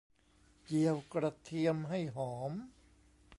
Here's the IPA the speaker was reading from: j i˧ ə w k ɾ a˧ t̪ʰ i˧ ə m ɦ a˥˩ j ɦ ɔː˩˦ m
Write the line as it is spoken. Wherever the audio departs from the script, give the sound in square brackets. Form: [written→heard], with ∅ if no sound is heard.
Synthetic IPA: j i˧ ə w k ɾ a˧ t̪ʰ i˧ ə m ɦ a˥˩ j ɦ ɔː˩˦ m